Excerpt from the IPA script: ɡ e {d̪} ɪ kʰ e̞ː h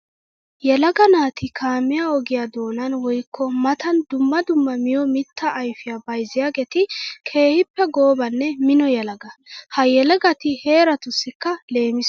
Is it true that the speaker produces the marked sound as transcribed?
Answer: no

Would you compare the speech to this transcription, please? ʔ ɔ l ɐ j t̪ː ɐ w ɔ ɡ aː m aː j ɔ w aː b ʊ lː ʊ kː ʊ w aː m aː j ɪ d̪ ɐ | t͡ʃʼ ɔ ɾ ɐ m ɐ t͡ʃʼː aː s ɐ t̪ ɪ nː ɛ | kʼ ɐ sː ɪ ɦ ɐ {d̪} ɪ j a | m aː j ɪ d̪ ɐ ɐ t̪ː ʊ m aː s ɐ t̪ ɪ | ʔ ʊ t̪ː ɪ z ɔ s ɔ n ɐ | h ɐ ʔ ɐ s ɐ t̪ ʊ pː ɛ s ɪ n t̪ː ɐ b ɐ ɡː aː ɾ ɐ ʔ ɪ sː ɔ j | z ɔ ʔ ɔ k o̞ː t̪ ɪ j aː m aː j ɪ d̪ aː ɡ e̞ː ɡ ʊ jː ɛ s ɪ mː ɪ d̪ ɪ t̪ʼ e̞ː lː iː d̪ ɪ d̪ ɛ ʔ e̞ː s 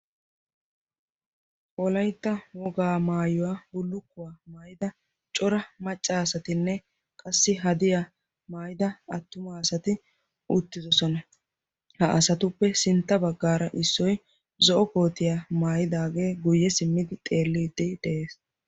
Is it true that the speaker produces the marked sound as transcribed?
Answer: yes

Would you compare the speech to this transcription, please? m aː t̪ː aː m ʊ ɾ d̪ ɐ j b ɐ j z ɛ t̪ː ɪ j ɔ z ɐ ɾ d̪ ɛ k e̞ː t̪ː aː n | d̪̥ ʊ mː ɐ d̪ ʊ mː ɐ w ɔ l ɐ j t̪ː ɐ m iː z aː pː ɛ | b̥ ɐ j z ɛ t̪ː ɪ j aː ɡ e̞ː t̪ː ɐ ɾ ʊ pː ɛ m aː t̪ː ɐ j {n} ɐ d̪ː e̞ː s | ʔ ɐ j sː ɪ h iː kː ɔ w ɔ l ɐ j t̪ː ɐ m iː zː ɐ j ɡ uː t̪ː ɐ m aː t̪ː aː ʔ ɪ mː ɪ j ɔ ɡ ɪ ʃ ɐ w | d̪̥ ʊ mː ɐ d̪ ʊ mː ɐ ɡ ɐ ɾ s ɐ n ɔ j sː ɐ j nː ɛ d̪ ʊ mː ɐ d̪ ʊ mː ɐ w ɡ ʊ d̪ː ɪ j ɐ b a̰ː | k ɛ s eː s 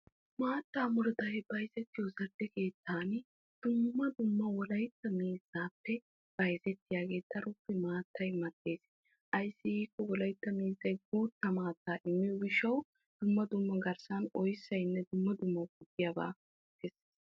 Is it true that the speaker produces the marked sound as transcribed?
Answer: no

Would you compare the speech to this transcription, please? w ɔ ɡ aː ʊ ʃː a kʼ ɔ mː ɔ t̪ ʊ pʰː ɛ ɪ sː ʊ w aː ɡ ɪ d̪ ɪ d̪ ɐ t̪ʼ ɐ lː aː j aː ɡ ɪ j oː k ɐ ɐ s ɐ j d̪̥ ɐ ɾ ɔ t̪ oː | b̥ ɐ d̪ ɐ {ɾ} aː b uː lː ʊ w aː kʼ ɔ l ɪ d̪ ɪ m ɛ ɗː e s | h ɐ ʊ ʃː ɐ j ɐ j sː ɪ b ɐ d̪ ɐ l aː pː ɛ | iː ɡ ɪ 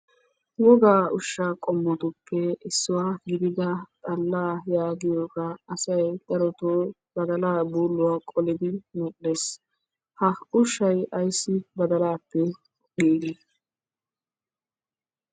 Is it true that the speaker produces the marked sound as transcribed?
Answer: no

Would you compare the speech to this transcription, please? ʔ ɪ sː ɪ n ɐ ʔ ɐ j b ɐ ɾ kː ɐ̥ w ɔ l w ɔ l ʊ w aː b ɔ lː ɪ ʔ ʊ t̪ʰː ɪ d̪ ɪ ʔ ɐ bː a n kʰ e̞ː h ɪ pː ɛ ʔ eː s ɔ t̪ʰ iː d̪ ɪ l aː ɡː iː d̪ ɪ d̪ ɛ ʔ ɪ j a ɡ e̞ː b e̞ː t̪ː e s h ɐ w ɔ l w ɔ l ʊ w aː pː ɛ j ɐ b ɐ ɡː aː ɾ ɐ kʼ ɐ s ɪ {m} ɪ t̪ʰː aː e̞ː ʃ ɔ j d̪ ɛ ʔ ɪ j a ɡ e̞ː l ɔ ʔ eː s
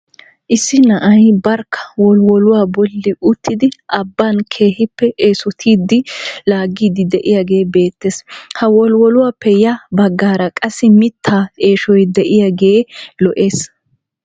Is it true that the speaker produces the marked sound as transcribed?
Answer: yes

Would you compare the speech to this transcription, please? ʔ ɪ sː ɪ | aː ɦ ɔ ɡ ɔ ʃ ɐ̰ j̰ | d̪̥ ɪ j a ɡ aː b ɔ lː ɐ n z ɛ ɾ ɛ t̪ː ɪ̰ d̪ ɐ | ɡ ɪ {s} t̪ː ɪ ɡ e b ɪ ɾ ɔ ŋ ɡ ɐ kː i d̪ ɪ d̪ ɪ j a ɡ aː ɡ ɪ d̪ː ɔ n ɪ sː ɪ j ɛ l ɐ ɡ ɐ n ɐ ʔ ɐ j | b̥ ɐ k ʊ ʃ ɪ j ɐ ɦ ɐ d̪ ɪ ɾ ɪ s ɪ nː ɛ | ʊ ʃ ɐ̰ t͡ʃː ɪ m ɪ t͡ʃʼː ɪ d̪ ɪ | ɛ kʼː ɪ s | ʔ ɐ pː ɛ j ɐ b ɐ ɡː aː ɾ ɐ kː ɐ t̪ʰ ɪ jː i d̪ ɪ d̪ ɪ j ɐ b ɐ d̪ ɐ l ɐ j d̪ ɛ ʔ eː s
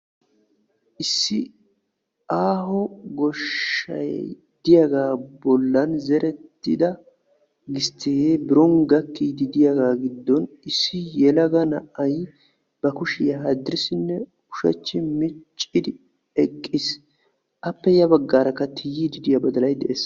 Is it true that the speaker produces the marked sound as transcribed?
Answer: yes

